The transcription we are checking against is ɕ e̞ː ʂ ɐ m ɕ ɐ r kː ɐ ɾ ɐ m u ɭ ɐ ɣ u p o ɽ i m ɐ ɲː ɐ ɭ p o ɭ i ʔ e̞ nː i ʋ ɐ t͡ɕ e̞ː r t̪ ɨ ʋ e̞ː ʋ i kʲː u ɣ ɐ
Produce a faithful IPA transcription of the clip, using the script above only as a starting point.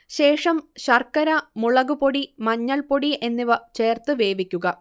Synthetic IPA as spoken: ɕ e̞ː ʂ ɐ m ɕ ɐ r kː ɐ ɾ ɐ m u ɭ ɐ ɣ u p o ɽ i m ɐ ɲː ɐ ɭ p o ɽ i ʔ e̞ nː i ʋ ɐ t͡ɕ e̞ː r t̪ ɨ ʋ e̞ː ʋ i kʲː u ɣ ɐ